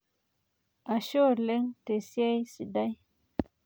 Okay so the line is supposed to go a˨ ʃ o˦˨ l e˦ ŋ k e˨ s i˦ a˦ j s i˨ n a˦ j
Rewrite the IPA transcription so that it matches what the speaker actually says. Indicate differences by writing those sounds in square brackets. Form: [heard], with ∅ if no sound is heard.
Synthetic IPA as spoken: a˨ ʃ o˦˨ l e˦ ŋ [t] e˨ s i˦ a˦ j s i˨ [d] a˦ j